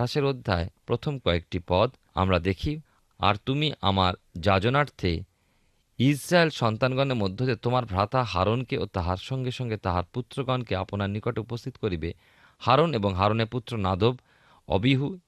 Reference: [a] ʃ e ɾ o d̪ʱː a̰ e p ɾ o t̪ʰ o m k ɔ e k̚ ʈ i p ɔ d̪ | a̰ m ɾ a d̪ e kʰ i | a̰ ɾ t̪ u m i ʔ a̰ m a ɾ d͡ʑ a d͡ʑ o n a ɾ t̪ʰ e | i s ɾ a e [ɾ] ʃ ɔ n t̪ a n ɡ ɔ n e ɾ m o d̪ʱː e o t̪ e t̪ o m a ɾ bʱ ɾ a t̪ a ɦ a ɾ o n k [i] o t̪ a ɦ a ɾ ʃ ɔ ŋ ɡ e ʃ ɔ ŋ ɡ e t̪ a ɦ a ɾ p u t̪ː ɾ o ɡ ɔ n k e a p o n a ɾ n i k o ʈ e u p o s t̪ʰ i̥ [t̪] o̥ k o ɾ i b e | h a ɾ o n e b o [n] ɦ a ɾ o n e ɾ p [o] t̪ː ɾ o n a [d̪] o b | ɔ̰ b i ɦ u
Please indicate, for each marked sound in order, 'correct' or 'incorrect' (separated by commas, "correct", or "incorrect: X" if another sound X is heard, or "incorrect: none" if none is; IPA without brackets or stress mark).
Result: correct, incorrect: l, incorrect: e, correct, incorrect: ŋ, incorrect: u, correct